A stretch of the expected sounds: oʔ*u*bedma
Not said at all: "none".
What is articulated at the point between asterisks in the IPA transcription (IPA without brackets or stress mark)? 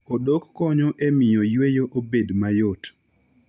o